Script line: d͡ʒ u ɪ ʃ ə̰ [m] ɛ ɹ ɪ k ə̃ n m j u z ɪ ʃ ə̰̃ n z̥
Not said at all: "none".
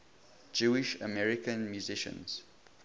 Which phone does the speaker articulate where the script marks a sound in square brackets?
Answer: m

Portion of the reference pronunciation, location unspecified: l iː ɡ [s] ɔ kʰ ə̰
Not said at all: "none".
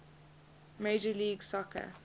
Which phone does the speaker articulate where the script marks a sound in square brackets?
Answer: s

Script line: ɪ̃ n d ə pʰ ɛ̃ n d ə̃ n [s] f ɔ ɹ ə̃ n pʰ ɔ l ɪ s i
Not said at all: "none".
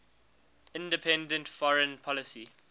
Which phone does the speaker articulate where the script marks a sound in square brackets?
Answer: t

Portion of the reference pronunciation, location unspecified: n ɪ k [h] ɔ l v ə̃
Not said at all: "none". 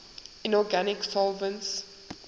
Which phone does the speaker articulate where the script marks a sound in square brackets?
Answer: s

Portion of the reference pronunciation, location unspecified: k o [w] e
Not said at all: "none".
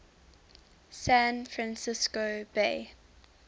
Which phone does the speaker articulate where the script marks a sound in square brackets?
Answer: b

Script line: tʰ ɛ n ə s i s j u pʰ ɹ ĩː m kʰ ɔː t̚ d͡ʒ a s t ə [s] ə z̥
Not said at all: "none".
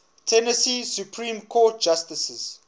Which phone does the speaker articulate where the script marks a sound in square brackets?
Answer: s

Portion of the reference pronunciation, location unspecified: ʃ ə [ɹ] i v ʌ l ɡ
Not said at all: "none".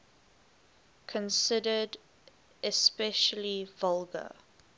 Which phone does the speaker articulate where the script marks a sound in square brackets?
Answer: l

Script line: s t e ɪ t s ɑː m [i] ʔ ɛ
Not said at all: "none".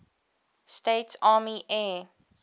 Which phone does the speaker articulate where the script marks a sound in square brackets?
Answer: i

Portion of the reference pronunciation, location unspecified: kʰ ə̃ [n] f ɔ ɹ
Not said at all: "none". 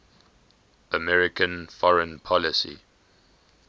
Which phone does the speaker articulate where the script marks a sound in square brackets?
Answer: n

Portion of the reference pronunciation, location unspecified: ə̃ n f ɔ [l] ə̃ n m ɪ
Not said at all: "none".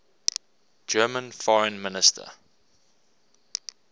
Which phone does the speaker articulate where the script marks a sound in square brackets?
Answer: ɹ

